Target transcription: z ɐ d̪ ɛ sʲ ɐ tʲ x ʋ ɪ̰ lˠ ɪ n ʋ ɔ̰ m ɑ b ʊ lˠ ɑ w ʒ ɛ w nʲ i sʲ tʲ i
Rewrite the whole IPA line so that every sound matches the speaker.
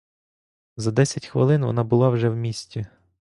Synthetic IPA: z ɐ d̪ ɛ sʲ ɐ tʲ x ʋ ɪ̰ lˠ ɪ n ʋ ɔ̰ n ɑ b ʊ lˠ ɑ w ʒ ɛ w mʲ i sʲ tʲ i